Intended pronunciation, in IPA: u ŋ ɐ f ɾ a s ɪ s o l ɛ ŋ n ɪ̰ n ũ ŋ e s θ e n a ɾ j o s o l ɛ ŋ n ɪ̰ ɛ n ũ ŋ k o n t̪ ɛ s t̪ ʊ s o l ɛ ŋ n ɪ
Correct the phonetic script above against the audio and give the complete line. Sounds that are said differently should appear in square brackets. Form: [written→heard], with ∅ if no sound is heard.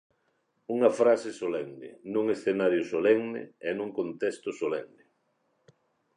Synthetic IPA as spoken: u ŋ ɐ f ɾ a s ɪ s o l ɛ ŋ n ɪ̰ n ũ ŋ e s θ e n a ɾ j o s o l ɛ ŋ n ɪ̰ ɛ n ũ ŋ k o n t̪ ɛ s t̪ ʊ s o l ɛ ŋ n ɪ